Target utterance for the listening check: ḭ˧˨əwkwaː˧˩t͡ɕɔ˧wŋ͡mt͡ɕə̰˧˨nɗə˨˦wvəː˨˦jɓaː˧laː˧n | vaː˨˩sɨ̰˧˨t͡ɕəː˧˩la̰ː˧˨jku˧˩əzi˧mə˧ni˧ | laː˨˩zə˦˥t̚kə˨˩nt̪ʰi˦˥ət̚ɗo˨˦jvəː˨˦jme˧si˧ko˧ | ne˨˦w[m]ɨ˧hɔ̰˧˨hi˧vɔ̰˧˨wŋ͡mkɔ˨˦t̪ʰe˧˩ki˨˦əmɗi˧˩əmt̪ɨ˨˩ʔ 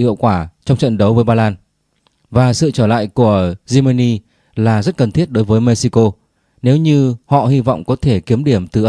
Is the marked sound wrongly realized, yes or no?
yes